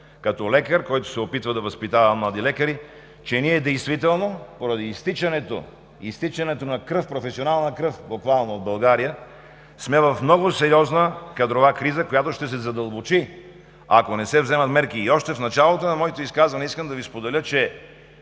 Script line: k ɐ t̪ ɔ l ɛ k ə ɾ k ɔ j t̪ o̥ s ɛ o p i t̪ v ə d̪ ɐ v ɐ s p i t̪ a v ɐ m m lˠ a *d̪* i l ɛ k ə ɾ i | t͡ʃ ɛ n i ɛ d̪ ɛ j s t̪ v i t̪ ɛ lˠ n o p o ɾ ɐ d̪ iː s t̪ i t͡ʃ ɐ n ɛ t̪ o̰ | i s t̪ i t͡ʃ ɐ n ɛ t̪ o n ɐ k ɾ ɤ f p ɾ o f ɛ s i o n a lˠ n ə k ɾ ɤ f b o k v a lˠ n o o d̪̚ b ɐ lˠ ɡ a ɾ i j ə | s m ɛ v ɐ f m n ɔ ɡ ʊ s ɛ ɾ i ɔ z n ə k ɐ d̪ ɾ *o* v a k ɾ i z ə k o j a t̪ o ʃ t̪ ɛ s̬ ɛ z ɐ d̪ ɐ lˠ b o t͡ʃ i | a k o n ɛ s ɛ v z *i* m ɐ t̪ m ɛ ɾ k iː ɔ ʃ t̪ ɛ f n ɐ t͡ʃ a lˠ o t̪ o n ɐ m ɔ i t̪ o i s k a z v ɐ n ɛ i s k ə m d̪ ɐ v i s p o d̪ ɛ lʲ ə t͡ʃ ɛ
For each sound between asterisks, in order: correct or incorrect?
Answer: correct, correct, incorrect: ɛ

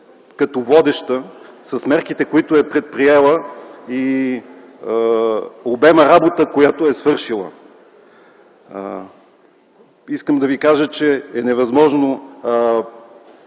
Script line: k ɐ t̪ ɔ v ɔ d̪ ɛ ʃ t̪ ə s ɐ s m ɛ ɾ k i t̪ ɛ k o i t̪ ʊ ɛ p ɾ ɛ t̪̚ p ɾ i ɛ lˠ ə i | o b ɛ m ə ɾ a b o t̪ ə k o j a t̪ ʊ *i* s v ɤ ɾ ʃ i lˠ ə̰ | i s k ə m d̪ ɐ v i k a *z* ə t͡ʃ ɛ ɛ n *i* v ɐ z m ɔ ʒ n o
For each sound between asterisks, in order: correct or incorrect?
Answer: incorrect: ɛ, incorrect: ʒ, incorrect: ɛ

